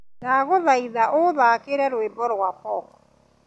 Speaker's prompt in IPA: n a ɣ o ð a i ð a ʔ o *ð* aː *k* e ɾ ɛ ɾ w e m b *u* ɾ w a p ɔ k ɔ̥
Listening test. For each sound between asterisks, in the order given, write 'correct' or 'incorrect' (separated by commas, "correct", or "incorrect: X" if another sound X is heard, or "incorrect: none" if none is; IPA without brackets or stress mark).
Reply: correct, correct, incorrect: ɔ